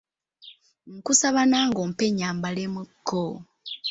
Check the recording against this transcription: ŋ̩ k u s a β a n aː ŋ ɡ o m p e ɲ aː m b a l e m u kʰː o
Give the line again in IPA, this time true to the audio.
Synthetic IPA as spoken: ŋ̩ k u s a β a n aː ŋ ɡ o m p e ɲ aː m b a l e m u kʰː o